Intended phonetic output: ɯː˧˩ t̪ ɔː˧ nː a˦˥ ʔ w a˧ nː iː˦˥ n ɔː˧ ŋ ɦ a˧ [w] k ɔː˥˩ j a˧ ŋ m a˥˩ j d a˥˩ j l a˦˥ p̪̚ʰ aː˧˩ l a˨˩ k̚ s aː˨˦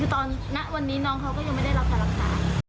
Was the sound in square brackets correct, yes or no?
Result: yes